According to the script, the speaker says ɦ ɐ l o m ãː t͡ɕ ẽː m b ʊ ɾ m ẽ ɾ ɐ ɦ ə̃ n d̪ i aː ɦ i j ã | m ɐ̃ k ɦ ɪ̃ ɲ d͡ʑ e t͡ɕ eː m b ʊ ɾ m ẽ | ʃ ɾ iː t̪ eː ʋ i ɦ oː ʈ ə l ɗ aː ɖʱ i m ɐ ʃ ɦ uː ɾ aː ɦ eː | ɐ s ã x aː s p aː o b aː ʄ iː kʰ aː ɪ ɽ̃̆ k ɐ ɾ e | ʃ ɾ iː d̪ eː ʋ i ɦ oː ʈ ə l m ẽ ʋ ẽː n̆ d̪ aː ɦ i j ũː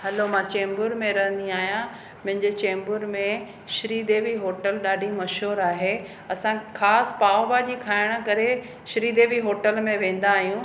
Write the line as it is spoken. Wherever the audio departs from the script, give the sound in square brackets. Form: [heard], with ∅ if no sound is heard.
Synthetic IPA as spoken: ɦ ɐ l o m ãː t͡ɕ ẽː m b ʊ ɾ m ẽ ɾ ɐ ɦ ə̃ n d̪ i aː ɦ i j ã | m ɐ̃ [∅] ɦ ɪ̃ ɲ d͡ʑ e t͡ɕ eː m b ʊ ɾ m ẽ | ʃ ɾ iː [d̪] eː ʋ i ɦ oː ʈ ə l ɗ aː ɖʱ i m ɐ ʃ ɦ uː ɾ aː ɦ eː | ɐ s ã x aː s p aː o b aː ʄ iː kʰ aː ɪ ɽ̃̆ k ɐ ɾ e | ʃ ɾ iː d̪ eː ʋ i ɦ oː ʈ ə l m ẽ ʋ ẽː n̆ d̪ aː ɦ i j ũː